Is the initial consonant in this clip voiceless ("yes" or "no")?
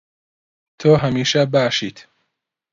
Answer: yes